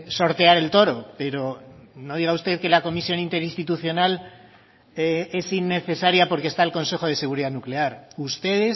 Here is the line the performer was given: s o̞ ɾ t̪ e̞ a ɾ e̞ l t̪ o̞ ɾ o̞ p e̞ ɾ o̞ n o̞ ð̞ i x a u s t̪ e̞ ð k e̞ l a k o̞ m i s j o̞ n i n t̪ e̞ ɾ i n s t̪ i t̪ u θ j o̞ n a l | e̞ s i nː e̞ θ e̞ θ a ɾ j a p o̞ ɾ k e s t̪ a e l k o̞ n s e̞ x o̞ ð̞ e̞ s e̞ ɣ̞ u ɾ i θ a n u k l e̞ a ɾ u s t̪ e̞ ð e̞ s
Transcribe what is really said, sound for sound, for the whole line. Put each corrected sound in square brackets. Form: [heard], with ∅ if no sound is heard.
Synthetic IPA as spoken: s o̞ ɾ t̪ e̞ a ɾ e̞ l t̪ o̞ ɾ o̞ p e̞ ɾ o̞ n o̞ ð̞ i [ɣ] a u s t̪ e̞ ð k e̞ l a k o̞ m i s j o̞ n i n t̪ e̞ ɾ i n s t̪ i t̪ u θ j o̞ n a l | e̞ s i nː e̞ θ e̞ [s] a ɾ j a p o̞ ɾ k e s t̪ a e l k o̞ n s e̞ x o̞ ð̞ e̞ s e̞ ɣ̞ u ɾ i [ð] a n u k l e̞ a ɾ u s t̪ e̞ ð e̞ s